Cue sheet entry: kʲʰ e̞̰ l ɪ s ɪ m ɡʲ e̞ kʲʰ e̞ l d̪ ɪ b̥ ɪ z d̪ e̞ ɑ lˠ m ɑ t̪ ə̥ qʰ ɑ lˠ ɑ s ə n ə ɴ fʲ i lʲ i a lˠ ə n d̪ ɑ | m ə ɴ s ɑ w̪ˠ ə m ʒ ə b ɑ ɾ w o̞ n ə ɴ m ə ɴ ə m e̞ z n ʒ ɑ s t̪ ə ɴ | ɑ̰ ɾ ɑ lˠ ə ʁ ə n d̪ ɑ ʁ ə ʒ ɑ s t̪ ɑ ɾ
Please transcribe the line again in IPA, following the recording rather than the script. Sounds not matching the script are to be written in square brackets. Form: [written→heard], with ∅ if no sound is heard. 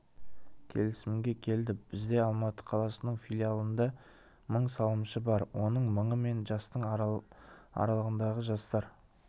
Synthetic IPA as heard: kʲʰ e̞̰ l ɪ s ɪ m ɡʲ e̞ kʲʰ e̞ l d̪ ɪ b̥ ɪ z d̪ e̞ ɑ lˠ m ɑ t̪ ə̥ qʰ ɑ lˠ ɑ s ə n ə ɴ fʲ i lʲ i a lˠ ə n d̪ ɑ | m ə ɴ s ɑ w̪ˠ ə m [ʒ→ʃ] ə b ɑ ɾ w o̞ n ə ɴ m ə ɴ ə m e̞ [z→∅] n ʒ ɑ s t̪ ə ɴ | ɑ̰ ɾ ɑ lˠ ə ʁ ə n d̪ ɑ ʁ ə ʒ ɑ s t̪ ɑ ɾ